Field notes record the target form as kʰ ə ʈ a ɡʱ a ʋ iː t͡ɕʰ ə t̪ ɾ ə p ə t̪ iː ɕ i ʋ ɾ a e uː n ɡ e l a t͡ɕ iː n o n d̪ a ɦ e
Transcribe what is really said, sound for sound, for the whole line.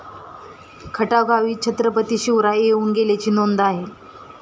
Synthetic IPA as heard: kʰ ə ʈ a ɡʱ a ʋ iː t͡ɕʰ ə t̪ ɾ ə p ə t̪ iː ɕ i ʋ ɾ a e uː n ɡ e l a t͡ɕ iː n o n d̪ a ɦ e

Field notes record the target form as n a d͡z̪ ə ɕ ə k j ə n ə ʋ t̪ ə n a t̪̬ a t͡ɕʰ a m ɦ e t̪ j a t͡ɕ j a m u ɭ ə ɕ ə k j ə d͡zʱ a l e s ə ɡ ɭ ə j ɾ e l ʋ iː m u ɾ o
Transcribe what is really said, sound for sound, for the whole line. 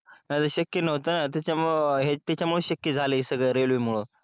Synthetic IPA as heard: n a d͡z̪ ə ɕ ə k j ə n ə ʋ t̪ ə n a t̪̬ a t͡ɕ a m ɦ e t̪ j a t͡ɕ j a m u ɭ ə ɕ ə k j ə d͡zʱ a l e s ə ɡ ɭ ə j ɾ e l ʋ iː m u ɭ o

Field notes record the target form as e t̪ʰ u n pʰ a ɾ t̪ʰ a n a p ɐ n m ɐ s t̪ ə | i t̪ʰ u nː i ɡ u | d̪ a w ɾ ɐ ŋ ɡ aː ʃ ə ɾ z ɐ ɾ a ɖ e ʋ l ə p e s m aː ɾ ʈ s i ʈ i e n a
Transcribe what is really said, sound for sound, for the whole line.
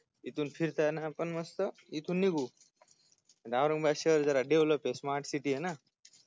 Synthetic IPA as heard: i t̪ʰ u n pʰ i ɾ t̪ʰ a n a p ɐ n m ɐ s t̪ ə | i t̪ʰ u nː i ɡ u | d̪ a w ɾ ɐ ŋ b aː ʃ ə ɾ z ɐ ɾ a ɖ e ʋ l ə p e s m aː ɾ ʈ s i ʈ i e n a

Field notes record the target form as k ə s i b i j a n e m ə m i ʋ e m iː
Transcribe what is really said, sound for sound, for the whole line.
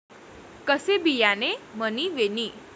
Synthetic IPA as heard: k ə s e b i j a n e m ə n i ʋ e n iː

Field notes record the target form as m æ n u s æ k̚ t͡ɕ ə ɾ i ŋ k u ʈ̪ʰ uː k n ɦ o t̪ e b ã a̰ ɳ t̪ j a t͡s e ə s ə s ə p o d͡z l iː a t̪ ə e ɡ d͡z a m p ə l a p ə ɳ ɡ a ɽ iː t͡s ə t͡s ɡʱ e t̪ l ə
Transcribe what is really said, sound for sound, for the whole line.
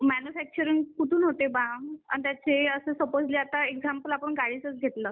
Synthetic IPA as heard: m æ n u f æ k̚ t͡ɕ ə ɾ i ŋ k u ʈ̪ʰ uː n ɦ o t̪ e b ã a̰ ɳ t̪ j a t͡s e ə s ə s ə p o d͡z l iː a t̪ a e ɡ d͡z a m p ə l a p ə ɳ ɡ a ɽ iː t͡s ə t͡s ɡʱ e t̪ l ə

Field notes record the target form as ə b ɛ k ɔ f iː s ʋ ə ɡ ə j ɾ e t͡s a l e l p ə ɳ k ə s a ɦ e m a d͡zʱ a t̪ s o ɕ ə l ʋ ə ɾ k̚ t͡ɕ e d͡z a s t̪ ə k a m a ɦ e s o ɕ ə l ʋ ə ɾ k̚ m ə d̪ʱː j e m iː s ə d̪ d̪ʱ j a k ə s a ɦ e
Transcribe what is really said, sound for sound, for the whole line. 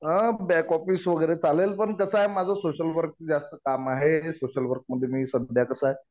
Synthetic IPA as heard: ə b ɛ k ɔ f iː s ʋ ə ɡ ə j ɾ e t͡s a l e l p ə ɳ k ə s a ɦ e m a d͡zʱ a s o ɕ ə l ʋ ə ɾ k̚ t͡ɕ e d͡z a s t̪ ə k a m a ɦ e s o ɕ ə l ʋ ə ɾ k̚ m ə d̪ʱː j e m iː s ə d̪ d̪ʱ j a k ə s a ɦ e

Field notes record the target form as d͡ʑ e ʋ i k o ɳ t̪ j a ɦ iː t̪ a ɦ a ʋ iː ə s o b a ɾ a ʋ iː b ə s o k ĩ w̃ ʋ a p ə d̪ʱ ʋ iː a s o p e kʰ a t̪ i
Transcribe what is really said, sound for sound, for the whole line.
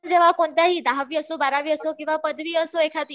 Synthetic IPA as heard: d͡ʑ e ʋ a k o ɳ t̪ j a ɦ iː d̪ a ɦ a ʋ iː ə s o b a ɾ a ʋ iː ə s o k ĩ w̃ ʋ a p ə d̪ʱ ʋ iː ə s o e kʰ a t̪ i

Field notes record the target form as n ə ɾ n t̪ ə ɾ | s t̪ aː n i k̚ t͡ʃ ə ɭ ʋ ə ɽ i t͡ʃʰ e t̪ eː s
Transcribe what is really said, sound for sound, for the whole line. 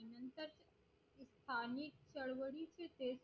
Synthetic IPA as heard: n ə n t̪ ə ɾ | s t̪ʰ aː n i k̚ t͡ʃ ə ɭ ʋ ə ɽ i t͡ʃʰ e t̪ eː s

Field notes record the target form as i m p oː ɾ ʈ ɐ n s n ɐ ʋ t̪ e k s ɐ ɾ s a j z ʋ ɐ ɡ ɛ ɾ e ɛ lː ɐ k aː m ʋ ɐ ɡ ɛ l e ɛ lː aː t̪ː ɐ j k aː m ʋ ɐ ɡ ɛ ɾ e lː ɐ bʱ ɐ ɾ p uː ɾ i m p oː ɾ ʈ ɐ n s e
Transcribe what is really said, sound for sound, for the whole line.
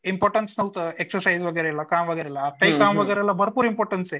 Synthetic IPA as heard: i m p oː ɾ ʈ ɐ n s n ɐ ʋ t̪ e k s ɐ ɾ s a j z ʋ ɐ ɡ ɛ ɾ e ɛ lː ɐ k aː m ʋ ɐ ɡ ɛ ɾ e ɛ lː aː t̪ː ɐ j k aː m ʋ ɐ ɡ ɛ ɾ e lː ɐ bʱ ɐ ɾ p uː ɾ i m p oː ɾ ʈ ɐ n s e

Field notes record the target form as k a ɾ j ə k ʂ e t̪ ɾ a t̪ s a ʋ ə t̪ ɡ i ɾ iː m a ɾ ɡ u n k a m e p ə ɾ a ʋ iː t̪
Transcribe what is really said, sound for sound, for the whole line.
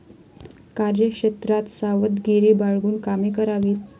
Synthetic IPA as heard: k a ɾ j ə k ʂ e t̪ ɾ a t̪ s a ʋ ə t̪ ɡ i ɾ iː b a ɭ ɡ uː n k a m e k ə ɾ a ʋ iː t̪

